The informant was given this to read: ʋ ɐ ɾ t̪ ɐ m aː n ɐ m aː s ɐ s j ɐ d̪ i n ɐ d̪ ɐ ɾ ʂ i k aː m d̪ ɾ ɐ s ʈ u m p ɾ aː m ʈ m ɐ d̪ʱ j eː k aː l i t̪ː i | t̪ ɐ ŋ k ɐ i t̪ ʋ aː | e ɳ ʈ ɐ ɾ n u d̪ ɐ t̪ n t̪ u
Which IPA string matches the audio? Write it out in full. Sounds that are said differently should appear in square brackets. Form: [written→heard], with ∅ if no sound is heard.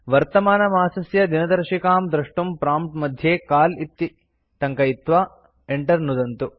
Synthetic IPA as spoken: ʋ ɐ ɾ t̪ ɐ m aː n ɐ m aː s ɐ s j ɐ d̪ i n ɐ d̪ ɐ ɾ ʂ i k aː m d̪ ɾ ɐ [s→ʂ] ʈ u m p ɾ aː m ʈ m ɐ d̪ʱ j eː k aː l i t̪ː i | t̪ ɐ ŋ k ɐ i t̪ ʋ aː | e ɳ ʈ ɐ ɾ n u d̪ ɐ [t̪→∅] n t̪ u